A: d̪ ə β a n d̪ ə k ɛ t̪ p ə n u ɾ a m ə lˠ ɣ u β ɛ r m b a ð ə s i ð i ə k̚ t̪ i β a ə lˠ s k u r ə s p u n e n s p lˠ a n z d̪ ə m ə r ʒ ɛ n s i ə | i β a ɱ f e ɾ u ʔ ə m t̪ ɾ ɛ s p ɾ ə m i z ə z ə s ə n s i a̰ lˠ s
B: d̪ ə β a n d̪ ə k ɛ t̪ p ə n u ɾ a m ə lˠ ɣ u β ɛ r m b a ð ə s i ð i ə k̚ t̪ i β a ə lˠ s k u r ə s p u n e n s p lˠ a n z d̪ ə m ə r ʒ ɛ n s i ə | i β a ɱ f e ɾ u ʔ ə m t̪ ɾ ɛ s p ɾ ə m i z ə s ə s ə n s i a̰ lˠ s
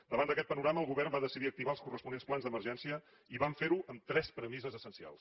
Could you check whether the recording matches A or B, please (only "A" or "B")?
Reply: A